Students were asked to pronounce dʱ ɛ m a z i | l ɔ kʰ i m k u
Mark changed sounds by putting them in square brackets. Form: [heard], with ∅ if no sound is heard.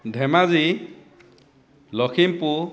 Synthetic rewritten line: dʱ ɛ m a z i | l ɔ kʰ i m [p] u